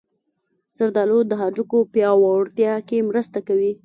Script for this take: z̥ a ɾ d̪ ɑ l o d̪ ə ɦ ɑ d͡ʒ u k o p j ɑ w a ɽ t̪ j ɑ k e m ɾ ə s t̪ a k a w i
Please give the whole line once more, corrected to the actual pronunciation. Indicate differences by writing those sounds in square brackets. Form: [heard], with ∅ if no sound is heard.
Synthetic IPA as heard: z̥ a ɾ d̪ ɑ l o d̪ ə ɦ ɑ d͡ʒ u k o p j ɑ w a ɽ t̪ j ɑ k e m ɾ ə s t̪ a k a w i

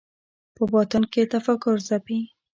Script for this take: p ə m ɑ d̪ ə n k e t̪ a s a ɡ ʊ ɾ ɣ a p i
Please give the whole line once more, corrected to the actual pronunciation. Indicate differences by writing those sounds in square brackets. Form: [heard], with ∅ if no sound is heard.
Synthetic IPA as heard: p ə [b] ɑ [t̪] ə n k e t̪ a [f] a [k] ʊ ɾ [z] a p i

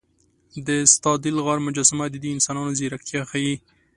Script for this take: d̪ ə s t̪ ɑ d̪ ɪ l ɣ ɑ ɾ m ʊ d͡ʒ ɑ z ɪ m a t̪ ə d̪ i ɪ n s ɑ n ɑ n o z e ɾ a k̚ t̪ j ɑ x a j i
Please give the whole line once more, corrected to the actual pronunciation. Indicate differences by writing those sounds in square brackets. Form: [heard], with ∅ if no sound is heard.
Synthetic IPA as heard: d̪ ə s t̪ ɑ d̪ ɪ l ɣ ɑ ɾ m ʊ d͡ʒ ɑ [s] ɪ m a [d̪] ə d̪ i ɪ n s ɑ n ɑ n o z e ɾ a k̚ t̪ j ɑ x a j i

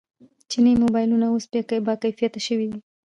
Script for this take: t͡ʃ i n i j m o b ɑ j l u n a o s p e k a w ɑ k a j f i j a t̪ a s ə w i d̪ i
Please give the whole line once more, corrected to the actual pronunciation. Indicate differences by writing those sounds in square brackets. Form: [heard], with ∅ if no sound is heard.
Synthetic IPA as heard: t͡ʃ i n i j m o b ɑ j l u n a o s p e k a [b] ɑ k a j f i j a t̪ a [ʃ] ə w i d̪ i

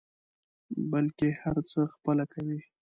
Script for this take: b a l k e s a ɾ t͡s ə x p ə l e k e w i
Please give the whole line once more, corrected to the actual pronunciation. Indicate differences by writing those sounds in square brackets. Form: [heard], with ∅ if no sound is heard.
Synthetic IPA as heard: b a l k e [h] a ɾ t͡s ə x p ə l [a] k [a] w i

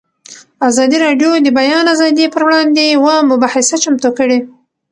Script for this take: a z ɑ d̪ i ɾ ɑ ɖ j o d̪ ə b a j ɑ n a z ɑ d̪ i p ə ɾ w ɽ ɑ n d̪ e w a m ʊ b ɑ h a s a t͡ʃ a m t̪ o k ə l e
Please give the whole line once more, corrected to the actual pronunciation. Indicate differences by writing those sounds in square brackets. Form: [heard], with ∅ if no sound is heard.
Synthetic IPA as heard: a z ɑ d̪ i ɾ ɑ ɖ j o d̪ ə b a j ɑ n a z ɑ d̪ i p ə ɾ w ɽ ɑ n d̪ e w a m ʊ b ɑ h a s a t͡ʃ a m t̪ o k ə [ɽ] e

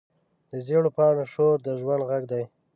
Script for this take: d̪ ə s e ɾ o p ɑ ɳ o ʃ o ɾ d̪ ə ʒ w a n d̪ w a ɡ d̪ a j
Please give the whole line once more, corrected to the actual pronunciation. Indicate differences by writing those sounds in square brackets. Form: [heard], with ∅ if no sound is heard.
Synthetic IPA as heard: d̪ ə [z] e [ɽ] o p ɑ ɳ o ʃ o ɾ d̪ ə ʒ w a n d̪ [ɣ] a ɡ d̪ a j

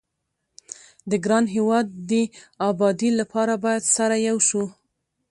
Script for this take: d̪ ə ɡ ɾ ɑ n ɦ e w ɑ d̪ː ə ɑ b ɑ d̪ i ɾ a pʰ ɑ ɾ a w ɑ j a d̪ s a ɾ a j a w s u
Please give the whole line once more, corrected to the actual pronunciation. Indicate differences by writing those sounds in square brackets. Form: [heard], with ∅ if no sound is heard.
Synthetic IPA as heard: d̪ ə ɡ ɾ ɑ n ɦ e w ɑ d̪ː ə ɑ b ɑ d̪ i [l] a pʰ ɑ ɾ a [b] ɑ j a d̪ s a ɾ a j a w [ʃ] u

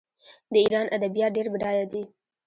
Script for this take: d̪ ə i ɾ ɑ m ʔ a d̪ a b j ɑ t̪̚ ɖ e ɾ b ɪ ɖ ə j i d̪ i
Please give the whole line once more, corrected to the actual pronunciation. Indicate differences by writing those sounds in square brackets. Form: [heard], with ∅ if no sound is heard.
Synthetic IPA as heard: d̪ ə i ɾ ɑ [n] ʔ a d̪ a b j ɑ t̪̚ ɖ e ɾ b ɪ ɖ [ɑ] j [a] d̪ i

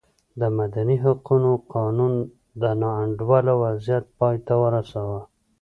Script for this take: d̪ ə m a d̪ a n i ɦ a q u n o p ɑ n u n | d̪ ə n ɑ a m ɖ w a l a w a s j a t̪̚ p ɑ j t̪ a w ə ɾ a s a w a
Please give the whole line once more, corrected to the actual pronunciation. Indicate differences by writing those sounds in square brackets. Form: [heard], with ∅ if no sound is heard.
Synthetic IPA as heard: d̪ ə m a d̪ a n i ɦ a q u n o [q] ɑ n u n | d̪ ə n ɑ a [ɳ] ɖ w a l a w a [z] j a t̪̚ p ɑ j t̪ a w ə ɾ a s a w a

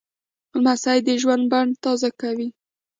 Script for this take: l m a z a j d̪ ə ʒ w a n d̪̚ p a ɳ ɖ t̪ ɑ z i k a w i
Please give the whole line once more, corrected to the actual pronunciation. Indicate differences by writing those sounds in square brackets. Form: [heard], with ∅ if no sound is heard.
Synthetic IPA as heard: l m a [s] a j d̪ ə ʒ w a n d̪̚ [b] a ɳ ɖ t̪ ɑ z [a] k a w i

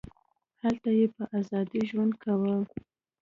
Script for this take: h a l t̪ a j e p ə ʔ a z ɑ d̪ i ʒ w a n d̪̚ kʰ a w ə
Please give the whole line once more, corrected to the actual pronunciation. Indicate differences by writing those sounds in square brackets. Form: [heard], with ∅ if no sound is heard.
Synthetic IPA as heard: h a l t̪ a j e p ə ʔ a z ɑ d̪ i ʒ w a n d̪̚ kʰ a w ə

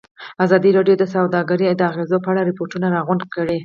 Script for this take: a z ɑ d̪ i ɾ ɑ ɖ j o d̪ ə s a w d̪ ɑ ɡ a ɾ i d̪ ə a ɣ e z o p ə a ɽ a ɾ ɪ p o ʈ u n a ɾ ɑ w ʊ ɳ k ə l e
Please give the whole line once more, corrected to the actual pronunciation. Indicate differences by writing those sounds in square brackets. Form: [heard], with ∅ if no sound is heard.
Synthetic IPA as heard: a z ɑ d̪ i ɾ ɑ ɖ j o d̪ ə s a w d̪ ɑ ɡ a ɾ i d̪ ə a ɣ e z o p ə a ɽ a ɾ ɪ p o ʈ u n a ɾ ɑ [ɣ] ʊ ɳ k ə [ɽ] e

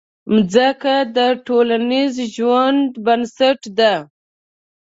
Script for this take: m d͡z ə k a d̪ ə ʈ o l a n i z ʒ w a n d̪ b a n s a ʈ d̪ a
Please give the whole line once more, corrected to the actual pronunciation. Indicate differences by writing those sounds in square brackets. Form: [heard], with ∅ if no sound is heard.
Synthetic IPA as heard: m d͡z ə k a d̪ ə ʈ o l a n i z ʒ w a n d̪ b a n s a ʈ d̪ a

